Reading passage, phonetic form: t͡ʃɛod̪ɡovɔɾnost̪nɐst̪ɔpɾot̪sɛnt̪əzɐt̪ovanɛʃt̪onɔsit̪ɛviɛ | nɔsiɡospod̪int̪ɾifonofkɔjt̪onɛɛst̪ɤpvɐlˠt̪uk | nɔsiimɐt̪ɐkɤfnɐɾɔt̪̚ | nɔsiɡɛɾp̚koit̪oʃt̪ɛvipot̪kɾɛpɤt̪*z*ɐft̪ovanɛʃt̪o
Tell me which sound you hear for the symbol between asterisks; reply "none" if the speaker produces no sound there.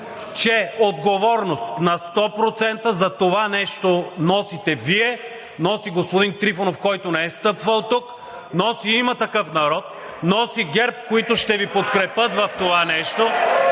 v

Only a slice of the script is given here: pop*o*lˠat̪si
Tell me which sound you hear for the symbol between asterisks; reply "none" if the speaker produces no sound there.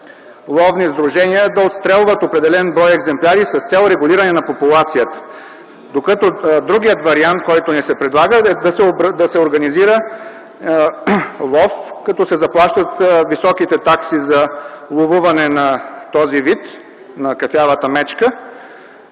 u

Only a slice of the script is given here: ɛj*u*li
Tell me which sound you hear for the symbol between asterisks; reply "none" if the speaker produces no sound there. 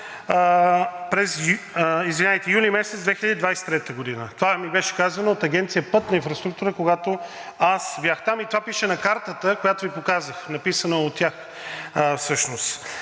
u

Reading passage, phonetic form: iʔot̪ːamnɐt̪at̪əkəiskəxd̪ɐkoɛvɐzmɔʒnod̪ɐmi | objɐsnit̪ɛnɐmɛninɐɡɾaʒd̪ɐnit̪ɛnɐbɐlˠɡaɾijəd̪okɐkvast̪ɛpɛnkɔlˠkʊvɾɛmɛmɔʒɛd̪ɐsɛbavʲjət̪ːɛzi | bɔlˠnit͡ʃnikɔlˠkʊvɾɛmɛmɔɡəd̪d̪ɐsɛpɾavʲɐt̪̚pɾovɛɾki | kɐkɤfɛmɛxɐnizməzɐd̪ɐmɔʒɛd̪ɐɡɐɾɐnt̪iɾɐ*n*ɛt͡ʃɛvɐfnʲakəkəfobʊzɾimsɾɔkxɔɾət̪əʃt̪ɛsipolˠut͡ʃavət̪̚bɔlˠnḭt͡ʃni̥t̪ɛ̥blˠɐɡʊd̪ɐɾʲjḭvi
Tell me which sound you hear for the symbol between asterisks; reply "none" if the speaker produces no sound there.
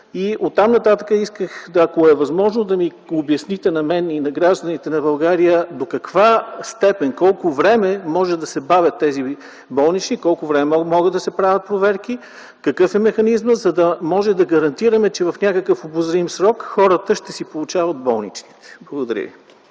m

